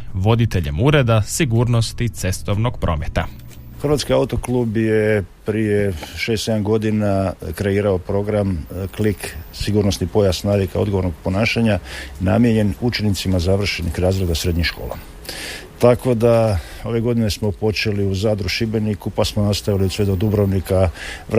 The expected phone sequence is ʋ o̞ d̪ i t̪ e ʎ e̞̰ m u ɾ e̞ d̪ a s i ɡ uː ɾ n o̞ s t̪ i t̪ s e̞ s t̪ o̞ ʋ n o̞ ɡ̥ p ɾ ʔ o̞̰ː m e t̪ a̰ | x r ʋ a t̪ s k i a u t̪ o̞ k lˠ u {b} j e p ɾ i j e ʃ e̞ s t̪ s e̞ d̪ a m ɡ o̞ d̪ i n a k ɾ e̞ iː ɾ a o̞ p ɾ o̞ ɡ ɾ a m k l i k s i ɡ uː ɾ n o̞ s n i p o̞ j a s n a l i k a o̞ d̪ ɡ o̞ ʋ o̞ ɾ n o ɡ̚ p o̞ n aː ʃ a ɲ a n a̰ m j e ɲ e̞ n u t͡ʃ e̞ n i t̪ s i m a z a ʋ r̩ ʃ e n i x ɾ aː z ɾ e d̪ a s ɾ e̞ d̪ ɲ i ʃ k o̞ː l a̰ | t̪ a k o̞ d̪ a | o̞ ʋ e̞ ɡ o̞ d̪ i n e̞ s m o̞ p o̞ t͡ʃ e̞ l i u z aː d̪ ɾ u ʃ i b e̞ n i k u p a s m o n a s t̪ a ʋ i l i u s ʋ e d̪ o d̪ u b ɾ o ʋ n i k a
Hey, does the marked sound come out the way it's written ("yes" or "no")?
yes